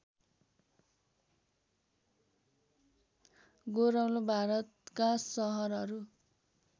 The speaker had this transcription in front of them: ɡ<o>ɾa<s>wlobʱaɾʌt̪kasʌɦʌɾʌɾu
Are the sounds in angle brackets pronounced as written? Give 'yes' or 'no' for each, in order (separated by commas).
yes, no